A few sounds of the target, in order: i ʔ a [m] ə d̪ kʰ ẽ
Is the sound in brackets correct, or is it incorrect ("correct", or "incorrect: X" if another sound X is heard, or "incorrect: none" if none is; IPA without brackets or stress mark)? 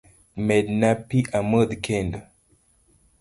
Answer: correct